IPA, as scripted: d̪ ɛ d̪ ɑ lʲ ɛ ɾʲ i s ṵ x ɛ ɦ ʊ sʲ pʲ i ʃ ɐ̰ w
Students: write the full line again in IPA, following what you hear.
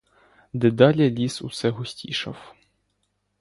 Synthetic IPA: d̪ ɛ d̪ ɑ lʲ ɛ lʲ i s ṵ s ɛ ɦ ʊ sʲ tʲ i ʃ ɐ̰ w